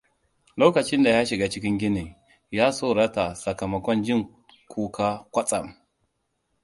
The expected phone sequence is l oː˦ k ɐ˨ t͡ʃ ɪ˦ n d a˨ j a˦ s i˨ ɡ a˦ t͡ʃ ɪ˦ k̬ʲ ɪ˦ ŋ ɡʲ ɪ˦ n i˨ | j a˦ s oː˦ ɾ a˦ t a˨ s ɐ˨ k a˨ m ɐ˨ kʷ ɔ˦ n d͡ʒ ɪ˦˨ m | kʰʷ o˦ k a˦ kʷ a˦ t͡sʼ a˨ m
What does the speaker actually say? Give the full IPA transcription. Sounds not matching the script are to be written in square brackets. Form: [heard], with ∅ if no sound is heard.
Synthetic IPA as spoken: l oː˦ k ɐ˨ t͡ʃ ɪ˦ n d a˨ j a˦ [ʃ] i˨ ɡ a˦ t͡ʃ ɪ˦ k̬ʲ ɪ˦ ŋ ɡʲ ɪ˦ n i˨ | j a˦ s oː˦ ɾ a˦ t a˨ s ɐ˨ k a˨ m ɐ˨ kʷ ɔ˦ n d͡ʒ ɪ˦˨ [ŋ] | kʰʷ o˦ k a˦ kʷ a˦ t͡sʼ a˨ m